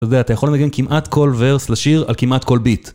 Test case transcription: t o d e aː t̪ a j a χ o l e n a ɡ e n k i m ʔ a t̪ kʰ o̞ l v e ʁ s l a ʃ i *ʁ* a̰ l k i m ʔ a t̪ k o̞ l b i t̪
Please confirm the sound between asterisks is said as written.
yes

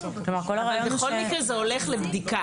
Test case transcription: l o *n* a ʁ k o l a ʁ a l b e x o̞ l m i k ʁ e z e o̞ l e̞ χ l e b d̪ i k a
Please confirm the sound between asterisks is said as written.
no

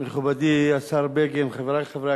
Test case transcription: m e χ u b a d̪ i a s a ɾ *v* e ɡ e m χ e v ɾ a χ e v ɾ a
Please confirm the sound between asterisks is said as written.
no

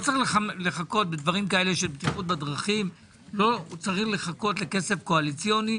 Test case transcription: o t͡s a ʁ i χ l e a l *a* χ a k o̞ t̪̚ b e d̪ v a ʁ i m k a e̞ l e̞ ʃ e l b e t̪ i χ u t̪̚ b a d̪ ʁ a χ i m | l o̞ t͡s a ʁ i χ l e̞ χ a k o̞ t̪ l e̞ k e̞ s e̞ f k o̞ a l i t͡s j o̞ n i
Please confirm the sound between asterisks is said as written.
no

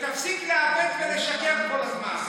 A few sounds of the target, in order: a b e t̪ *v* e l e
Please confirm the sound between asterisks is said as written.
yes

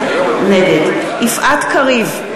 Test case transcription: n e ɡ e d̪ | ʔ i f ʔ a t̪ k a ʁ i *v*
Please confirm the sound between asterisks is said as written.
yes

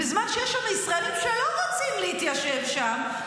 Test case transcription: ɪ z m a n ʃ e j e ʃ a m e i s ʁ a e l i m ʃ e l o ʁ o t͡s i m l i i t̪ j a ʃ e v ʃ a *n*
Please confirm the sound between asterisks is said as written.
no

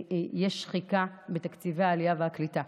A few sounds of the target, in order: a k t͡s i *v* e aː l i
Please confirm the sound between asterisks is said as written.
yes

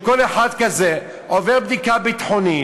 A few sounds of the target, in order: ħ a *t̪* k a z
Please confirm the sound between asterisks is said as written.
no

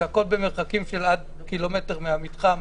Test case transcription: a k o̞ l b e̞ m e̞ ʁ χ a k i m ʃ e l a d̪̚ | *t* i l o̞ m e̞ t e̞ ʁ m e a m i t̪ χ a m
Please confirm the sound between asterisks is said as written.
no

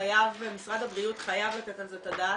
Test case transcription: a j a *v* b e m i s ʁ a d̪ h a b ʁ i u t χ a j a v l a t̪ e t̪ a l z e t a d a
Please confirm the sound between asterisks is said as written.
yes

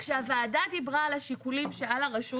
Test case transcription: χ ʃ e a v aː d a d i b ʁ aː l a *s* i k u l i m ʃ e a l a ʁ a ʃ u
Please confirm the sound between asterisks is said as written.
no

